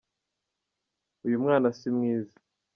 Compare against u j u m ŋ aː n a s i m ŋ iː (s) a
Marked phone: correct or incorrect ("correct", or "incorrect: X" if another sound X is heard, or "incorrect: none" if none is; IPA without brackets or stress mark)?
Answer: incorrect: z